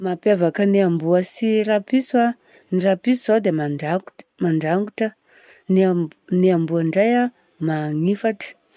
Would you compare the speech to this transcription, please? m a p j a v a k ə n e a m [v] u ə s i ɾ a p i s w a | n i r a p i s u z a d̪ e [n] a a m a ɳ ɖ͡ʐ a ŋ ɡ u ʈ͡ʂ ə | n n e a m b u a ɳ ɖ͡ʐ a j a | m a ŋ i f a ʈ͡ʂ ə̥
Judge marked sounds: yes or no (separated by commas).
no, no